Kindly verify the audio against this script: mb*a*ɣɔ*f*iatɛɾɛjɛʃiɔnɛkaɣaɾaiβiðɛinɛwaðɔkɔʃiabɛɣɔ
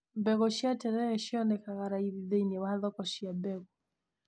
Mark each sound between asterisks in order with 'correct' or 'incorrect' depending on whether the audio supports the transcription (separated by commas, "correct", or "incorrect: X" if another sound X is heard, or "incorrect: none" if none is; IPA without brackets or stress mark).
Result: incorrect: ɛ, incorrect: ʃ